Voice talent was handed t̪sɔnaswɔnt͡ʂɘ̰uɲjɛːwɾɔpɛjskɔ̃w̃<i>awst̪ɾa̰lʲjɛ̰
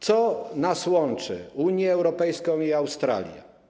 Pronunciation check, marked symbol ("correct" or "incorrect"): correct